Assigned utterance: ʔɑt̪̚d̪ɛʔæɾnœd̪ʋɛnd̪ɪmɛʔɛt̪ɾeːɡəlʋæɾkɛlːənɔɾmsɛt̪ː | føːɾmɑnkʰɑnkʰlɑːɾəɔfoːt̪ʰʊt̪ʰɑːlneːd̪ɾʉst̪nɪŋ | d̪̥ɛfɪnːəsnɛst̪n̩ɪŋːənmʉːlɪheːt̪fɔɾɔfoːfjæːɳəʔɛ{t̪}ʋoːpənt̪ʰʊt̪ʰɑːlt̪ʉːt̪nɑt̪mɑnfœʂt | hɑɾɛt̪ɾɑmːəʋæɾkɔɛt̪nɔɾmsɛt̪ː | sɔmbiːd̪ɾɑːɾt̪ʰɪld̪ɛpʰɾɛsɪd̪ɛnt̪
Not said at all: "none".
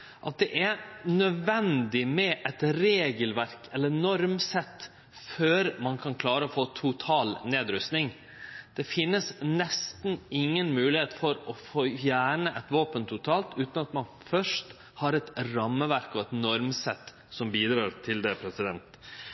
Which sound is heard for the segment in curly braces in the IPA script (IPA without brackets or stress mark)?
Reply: t̪